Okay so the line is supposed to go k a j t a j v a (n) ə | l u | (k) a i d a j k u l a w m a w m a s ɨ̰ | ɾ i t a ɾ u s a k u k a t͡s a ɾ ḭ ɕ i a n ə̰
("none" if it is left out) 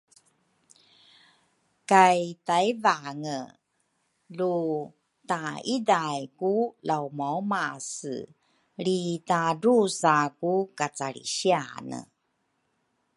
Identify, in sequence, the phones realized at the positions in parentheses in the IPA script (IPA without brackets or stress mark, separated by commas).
ŋ, t